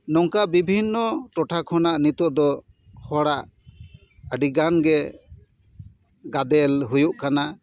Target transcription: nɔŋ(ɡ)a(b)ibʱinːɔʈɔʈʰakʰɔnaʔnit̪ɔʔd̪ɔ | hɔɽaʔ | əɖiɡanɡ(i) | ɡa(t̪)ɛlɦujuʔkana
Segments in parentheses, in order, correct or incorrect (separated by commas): incorrect, correct, incorrect, incorrect